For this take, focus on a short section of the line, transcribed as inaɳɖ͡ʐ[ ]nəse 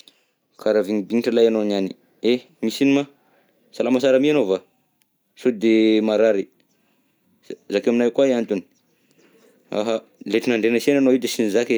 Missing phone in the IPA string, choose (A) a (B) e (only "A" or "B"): B